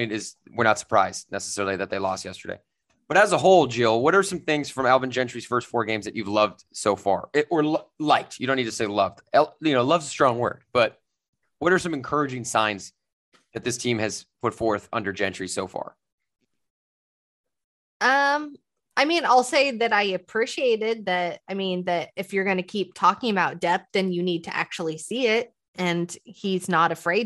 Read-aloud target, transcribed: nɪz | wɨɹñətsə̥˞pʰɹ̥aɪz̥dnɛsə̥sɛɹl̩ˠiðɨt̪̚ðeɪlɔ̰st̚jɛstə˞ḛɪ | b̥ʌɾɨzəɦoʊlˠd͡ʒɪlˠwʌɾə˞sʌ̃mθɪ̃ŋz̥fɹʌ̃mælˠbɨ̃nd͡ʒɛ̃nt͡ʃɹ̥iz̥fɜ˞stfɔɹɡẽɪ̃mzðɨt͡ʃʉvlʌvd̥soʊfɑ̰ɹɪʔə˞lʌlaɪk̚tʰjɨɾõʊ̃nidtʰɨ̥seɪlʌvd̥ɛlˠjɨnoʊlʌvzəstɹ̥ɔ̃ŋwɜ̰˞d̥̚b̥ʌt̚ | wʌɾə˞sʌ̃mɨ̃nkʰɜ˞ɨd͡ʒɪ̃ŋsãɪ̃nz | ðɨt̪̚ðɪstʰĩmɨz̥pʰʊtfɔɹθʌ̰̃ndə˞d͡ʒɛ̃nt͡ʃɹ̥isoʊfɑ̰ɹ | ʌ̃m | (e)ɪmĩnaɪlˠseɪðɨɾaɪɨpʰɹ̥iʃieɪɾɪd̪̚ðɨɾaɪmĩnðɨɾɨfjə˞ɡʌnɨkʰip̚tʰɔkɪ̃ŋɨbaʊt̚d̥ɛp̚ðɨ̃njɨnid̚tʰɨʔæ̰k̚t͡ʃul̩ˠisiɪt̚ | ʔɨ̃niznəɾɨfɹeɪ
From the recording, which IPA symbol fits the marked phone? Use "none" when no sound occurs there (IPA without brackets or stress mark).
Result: a